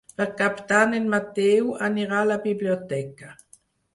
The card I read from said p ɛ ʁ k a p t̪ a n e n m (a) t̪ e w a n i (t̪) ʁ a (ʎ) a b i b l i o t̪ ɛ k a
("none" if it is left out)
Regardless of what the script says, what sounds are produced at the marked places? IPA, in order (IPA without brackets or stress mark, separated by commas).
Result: a, none, l